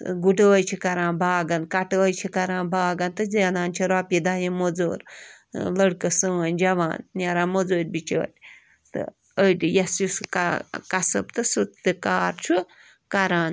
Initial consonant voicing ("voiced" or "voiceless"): voiced